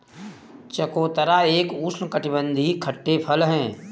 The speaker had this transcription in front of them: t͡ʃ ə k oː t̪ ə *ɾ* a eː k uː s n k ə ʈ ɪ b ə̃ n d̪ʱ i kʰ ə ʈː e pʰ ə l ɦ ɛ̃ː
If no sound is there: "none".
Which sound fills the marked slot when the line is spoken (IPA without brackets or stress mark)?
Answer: ɾ